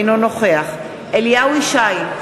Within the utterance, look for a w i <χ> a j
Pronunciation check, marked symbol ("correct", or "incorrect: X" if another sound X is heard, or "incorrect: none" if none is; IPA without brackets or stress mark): incorrect: ʃ